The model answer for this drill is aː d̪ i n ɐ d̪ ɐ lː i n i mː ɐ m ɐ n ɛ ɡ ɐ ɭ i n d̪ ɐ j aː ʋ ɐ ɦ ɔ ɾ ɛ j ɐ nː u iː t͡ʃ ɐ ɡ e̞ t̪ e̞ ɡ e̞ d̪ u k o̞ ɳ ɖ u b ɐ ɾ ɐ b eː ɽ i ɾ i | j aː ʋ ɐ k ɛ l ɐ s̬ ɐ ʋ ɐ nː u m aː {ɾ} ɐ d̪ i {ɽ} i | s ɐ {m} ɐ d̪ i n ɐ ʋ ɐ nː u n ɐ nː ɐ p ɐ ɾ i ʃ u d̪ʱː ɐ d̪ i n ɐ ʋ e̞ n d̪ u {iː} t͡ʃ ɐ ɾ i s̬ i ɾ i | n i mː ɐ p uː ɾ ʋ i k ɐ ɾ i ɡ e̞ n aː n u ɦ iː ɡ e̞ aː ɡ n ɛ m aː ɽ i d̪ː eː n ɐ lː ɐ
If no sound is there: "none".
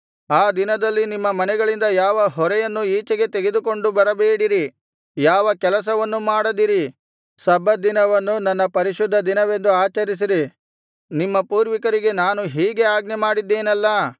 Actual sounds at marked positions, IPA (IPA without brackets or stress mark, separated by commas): ɽ, ɾ, b, aː